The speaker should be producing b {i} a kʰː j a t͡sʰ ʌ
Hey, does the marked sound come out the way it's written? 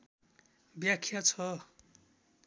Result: no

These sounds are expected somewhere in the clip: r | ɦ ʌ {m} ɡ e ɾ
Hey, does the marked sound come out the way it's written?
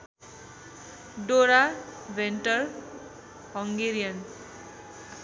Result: no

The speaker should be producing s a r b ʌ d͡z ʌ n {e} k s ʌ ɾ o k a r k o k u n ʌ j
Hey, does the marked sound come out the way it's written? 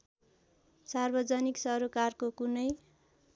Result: no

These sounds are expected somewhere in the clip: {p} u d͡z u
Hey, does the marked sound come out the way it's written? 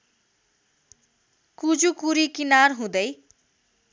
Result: no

